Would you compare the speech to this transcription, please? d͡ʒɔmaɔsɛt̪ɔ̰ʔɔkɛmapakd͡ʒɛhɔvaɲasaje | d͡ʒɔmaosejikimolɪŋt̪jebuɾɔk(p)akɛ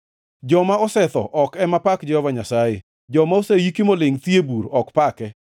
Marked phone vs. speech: correct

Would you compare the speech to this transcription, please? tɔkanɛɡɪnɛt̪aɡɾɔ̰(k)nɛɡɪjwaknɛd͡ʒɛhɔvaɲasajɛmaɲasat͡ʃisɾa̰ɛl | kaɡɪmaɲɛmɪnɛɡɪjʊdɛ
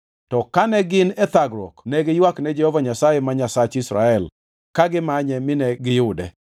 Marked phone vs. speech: correct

